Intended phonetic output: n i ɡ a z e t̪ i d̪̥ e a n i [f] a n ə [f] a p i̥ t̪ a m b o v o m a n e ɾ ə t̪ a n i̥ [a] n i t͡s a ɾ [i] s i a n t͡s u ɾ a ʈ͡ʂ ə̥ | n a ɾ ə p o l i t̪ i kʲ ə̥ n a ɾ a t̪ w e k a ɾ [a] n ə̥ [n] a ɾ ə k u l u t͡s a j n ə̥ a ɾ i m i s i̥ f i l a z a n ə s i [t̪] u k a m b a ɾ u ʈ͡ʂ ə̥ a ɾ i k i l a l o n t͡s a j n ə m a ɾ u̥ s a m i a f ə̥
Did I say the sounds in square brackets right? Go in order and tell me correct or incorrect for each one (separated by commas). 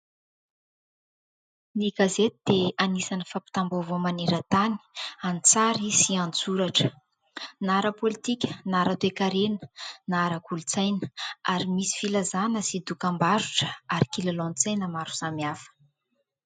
incorrect, correct, correct, correct, incorrect, correct, incorrect